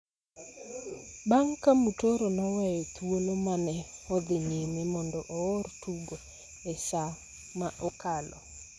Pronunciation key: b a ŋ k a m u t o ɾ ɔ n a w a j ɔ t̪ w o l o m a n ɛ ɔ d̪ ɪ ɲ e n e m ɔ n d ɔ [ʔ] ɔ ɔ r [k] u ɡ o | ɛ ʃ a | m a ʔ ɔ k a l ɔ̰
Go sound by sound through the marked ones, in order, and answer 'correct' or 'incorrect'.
correct, incorrect

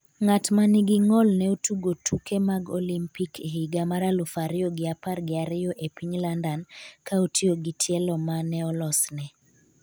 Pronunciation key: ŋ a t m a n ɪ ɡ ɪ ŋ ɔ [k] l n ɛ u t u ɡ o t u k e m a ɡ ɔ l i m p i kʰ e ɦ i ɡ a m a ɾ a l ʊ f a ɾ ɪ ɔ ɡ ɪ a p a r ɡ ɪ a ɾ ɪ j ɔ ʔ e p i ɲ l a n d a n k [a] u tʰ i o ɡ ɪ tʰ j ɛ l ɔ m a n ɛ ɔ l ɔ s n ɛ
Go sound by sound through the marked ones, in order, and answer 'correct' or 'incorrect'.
incorrect, correct

